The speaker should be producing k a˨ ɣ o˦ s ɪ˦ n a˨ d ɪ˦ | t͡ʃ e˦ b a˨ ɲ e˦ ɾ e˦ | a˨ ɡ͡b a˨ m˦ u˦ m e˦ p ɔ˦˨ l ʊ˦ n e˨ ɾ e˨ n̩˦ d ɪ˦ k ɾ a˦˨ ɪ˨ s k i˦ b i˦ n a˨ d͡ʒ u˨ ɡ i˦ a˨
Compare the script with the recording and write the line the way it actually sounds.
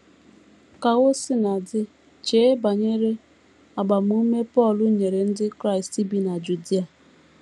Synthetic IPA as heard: k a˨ ɣ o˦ s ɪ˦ n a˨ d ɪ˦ | t͡ʃ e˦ b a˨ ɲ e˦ ɾ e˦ | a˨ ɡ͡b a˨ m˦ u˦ m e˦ p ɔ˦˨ l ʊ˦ ɲ e˨ ɾ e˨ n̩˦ d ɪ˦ k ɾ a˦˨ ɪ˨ s t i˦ b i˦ n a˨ d͡ʒ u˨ d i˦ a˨